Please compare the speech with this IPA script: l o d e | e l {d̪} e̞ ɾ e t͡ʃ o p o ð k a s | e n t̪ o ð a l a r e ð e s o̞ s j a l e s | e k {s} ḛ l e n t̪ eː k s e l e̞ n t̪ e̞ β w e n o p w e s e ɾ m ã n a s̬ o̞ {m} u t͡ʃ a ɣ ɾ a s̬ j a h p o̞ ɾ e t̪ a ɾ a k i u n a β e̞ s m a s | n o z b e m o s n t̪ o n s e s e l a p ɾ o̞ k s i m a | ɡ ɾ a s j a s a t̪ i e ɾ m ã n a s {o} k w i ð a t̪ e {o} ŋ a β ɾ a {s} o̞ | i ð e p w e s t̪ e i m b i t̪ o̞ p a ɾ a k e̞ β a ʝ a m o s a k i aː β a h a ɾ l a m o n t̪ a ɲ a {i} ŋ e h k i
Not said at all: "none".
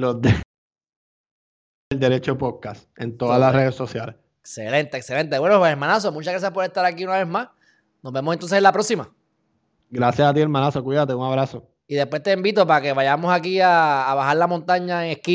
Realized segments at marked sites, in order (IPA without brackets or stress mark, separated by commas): d̪, s, m, o, u, s, e